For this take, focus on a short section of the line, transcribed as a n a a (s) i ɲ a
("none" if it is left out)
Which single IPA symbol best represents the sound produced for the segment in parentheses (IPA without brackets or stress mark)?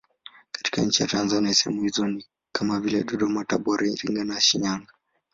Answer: ʃ